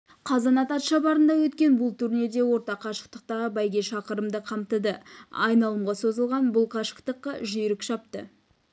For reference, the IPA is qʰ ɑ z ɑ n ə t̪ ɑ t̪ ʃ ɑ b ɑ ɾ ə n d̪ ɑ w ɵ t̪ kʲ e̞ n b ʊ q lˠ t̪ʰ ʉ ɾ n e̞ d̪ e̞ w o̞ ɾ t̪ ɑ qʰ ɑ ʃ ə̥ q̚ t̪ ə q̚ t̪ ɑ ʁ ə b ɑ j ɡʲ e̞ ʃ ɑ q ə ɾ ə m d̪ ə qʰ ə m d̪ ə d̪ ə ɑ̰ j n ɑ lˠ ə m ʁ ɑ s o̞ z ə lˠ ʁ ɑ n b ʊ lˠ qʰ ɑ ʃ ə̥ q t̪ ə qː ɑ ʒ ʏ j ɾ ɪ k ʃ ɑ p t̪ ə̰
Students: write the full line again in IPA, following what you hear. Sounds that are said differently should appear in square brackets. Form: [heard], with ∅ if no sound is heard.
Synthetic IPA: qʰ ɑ z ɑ n [ɑ] t̪ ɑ t̪ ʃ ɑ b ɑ ɾ ə n d̪ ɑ w ɵ t̪ kʲ e̞ n b ʊ [∅] lˠ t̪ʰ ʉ ɾ n e̞ d̪ e̞ w o̞ ɾ t̪ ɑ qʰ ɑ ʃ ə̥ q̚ t̪ ə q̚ t̪ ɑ ʁ ə b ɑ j ɡʲ e̞ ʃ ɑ q ə ɾ ə m d̪ ə qʰ [ɑ] m [t̪] ə d̪ ə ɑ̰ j n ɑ lˠ ə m ʁ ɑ s o̞ z ə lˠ ʁ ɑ n b ʊ lˠ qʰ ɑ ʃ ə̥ q t̪ ə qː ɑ ʒ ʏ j ɾ ɪ k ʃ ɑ p t̪ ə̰